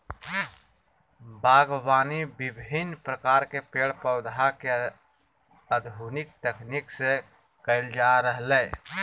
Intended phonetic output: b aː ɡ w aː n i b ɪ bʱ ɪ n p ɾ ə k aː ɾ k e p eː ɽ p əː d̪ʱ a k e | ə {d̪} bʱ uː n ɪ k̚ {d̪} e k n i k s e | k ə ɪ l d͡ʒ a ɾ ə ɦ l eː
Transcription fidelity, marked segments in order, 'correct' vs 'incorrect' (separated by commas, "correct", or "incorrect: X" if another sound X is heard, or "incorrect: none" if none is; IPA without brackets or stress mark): correct, incorrect: t̪